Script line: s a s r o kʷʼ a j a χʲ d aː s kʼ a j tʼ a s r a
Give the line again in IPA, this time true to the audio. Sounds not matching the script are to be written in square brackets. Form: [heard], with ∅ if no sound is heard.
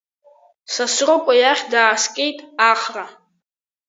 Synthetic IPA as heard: s a s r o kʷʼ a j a χʲ d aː s kʼ [e] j tʼ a [χ] r a